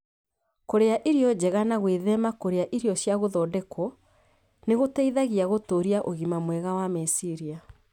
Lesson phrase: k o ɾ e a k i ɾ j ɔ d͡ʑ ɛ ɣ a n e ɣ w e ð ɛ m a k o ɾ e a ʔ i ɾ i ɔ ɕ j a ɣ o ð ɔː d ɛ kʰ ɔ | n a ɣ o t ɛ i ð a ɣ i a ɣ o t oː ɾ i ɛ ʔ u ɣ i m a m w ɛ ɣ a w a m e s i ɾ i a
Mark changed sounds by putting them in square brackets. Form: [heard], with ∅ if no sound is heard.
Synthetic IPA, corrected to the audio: k o ɾ e a [ʔ] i ɾ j ɔ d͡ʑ ɛ ɣ a n [a] ɣ w e ð ɛ m a k o ɾ e a ʔ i ɾ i ɔ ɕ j a ɣ o ð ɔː d ɛ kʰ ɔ | n [e] ɣ o t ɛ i ð a ɣ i a ɣ o t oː ɾ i [a] ʔ [o] ɣ i m a m w ɛ ɣ a w a m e s i ɾ i a